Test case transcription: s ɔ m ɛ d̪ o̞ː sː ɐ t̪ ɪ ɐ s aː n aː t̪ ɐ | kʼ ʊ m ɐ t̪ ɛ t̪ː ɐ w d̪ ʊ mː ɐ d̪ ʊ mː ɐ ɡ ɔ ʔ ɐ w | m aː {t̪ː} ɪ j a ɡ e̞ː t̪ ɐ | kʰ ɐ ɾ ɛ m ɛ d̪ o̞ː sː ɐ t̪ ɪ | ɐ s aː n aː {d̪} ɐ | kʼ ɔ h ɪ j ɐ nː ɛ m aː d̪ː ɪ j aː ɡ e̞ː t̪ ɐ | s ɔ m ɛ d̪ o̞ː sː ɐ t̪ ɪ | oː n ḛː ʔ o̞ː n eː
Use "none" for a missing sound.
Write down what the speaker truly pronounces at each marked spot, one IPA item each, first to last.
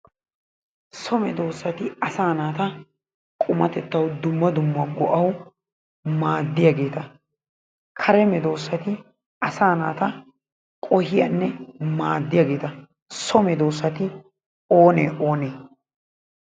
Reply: d̪ː, t̪

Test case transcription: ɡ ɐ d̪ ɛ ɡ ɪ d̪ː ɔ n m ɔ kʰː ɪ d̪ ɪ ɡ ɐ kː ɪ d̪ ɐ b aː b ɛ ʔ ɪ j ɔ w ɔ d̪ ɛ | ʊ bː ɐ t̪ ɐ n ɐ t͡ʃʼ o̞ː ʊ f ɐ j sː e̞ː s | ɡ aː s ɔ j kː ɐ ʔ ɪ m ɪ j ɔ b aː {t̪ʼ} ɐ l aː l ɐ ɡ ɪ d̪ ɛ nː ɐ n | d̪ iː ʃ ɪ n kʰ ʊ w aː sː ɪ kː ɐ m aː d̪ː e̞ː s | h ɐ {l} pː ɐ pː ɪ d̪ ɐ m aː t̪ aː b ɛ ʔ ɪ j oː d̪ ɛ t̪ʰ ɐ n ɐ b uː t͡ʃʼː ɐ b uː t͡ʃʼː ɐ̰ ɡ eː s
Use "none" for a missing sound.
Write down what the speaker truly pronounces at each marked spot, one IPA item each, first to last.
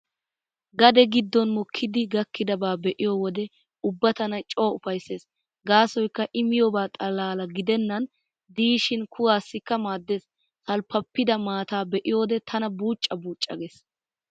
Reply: t̪ʼ, l

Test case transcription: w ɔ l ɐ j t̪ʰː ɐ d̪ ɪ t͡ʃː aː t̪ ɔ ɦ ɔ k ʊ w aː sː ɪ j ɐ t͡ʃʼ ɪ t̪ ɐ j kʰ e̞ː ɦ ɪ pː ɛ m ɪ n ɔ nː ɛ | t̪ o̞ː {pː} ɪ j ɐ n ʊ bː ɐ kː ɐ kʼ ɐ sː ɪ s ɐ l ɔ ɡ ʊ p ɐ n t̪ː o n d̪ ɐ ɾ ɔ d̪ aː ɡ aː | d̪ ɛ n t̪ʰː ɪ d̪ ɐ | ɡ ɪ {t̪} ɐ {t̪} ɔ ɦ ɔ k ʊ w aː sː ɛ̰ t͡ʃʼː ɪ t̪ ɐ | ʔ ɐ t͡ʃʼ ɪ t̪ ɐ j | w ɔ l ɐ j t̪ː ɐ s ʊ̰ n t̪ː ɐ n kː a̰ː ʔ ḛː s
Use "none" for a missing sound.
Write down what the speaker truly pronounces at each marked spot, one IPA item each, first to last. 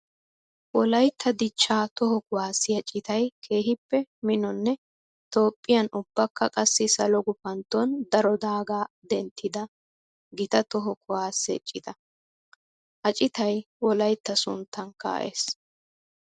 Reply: pʼː, t̪, t̪

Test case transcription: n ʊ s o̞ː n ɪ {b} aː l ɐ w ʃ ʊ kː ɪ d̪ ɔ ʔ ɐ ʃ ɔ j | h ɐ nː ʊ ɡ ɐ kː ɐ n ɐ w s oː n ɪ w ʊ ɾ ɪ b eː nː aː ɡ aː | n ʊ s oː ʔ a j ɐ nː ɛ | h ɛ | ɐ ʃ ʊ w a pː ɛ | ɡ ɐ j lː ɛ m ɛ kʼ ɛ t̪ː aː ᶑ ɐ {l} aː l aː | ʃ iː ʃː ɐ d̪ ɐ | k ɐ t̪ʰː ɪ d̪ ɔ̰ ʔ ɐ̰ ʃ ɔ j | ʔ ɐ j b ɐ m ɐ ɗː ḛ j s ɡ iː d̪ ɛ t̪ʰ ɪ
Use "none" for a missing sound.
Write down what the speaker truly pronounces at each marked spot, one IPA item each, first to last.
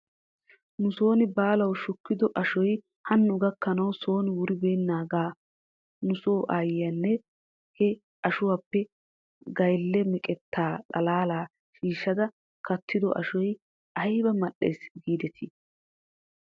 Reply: b, l

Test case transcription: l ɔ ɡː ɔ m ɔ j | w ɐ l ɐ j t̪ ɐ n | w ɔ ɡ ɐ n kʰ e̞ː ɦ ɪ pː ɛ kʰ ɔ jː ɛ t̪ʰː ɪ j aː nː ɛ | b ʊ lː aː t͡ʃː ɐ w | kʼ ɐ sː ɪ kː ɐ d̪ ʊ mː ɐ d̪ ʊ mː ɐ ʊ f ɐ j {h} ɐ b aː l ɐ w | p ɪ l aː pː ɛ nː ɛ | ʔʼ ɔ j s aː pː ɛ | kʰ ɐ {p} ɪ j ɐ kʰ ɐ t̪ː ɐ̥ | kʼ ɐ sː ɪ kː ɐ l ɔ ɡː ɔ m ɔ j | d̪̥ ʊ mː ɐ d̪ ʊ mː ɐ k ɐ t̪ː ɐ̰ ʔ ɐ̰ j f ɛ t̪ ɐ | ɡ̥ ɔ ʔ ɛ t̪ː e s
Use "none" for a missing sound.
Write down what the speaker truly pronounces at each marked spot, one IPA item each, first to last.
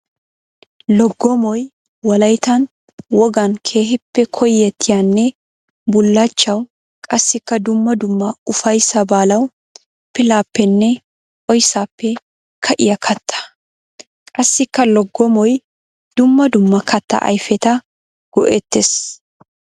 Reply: s, ʔ

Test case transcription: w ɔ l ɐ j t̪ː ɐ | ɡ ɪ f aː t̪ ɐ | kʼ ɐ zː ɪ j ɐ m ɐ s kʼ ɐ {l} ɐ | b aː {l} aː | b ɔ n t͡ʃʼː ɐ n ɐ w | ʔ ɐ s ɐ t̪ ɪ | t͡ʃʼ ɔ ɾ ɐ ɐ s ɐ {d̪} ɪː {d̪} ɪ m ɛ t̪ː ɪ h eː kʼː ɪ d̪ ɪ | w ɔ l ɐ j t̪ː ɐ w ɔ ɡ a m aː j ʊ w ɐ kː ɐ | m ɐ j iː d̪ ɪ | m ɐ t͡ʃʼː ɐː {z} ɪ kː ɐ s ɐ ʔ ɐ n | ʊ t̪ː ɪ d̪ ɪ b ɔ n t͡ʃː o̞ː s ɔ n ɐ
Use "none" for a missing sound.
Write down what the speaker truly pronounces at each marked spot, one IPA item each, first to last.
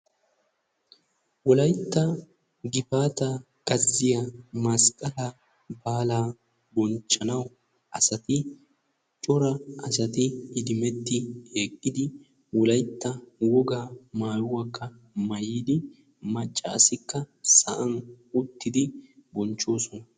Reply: l, l, t̪, d̪, s

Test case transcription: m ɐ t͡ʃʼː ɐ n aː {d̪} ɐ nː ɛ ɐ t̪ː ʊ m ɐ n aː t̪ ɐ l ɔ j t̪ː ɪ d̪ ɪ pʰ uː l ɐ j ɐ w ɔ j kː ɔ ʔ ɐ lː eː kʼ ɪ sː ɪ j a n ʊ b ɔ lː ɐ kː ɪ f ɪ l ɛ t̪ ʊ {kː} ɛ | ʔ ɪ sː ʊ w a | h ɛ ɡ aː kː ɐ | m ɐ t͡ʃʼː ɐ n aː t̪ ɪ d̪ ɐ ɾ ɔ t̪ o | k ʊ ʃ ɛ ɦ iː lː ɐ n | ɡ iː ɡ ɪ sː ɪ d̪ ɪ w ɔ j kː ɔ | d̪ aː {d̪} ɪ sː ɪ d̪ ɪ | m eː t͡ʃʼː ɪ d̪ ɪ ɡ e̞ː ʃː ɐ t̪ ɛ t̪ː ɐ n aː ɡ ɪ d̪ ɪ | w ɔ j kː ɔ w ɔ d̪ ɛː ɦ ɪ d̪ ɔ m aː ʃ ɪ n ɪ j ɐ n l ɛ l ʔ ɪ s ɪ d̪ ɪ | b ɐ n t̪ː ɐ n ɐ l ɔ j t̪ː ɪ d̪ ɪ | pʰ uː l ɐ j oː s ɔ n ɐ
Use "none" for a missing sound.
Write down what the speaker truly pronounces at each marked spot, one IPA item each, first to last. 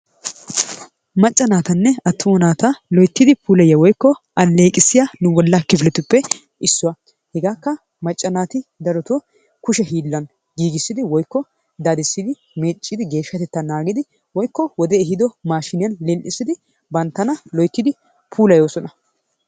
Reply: t̪, pː, d̪

